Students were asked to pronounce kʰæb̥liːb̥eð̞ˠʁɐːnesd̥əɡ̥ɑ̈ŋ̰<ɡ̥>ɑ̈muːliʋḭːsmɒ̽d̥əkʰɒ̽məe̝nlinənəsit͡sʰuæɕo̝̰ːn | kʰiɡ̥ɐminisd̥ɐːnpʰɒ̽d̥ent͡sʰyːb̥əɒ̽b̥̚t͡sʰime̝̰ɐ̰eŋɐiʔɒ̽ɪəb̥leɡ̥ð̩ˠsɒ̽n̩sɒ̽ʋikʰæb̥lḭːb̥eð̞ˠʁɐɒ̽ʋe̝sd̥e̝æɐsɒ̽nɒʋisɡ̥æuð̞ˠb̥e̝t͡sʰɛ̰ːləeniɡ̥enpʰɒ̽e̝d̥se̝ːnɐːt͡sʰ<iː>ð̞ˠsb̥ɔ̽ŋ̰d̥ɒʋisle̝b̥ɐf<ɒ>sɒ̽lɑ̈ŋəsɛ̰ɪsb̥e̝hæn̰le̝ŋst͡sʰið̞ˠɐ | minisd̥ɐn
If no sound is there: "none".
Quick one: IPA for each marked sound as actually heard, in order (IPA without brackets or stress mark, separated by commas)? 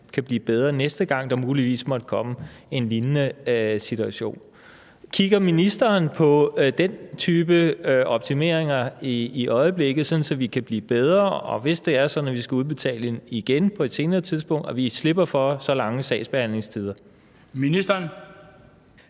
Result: d̥, i, ɒ